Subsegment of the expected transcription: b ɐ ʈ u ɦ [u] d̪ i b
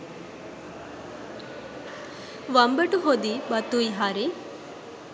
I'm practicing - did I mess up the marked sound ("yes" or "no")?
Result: yes